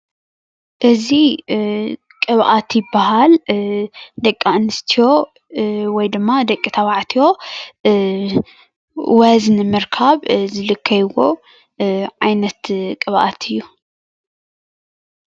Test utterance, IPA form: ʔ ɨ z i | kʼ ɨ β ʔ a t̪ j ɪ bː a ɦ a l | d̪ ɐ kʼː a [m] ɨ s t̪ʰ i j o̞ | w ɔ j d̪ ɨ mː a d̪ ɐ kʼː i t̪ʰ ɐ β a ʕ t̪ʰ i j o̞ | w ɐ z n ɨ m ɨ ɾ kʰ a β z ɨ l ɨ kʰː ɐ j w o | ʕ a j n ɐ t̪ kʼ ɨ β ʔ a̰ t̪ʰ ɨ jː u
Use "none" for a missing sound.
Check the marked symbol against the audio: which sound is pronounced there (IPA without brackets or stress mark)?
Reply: n